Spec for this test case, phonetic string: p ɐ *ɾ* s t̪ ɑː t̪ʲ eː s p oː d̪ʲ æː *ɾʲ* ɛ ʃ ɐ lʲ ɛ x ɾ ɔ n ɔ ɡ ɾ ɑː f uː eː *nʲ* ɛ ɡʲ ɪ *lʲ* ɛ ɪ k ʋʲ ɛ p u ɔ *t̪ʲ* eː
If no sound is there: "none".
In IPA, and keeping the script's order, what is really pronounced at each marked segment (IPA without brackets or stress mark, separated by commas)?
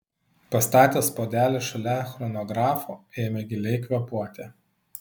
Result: none, lʲ, mʲ, lʲ, t̪ʲ